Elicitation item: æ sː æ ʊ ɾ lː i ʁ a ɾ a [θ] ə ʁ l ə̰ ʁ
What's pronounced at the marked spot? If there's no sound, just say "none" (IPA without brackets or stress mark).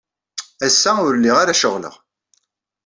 ʃ